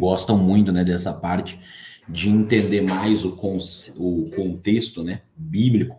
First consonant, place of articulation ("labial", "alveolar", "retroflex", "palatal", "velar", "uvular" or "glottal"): velar